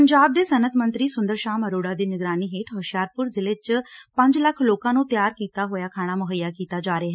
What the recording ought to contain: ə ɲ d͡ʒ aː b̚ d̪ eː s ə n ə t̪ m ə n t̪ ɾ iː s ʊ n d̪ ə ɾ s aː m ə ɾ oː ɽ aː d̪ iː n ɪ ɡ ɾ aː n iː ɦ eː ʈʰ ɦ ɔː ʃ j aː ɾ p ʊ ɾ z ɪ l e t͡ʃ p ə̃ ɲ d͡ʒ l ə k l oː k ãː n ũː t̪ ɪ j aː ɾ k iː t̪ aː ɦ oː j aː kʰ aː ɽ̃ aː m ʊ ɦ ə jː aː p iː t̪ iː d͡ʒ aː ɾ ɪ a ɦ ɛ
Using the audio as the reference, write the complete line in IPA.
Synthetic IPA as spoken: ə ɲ d͡ʒ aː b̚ d̪ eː s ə n ə t̪ m ə n t̪ ɾ iː s ʊ n d̪ ə ɾ ʃ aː m ə ɾ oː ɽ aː d̪ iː n ɪ ɡ ɾ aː n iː ɦ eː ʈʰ ɦ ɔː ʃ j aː ɾ p ʊ ɾ z ɪ l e t͡ʃ p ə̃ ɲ d͡ʒ l ə kʰ l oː k ãː n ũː t̪ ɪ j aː ɾ k iː t̪ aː ɦ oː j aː kʰ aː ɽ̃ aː m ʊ ɦ ə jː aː k iː t̪ aː d͡ʒ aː ɾ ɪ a ɦ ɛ

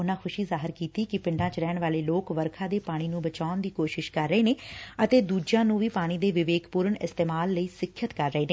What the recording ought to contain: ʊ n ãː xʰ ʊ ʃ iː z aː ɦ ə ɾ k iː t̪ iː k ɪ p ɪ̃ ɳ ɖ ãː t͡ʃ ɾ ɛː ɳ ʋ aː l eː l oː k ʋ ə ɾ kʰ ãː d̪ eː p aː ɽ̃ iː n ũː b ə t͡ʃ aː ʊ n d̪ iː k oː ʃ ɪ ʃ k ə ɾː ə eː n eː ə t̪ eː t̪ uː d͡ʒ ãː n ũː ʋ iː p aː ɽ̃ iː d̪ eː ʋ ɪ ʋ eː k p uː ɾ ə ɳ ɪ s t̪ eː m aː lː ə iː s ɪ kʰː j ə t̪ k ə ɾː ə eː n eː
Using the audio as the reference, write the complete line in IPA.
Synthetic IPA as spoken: ʊ n ãː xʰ ʊ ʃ iː z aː ɦ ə ɾ k iː t̪ iː k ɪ p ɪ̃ ɳ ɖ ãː t͡ʃ ɾ ɛː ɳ ʋ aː l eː l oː k ʋ ə ɾ kʰ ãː d̪ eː p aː ɽ̃ iː n ũː b ə t͡ʃ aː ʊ n d̪ iː k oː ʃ ɪ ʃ k ə ɾː ə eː n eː ə t̪ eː d̪ uː d͡ʒ ãː n ũː ʋ iː p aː ɽ̃ iː d̪ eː ʋ ɪ ʋ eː k p uː ɾ ə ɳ ɪ s t̪ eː m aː lː ə iː s ɪ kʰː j ə t̪ k ə ɾː ə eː n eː

